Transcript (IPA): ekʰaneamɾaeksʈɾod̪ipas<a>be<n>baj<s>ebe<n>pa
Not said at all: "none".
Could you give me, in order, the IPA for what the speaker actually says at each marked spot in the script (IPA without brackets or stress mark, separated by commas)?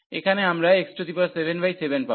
e, n, s, n